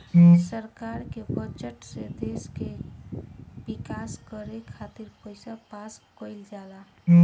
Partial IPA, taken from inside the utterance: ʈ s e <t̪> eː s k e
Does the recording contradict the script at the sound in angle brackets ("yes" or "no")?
yes